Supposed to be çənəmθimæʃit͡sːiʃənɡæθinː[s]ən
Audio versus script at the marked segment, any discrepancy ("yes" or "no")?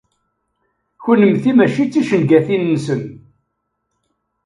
no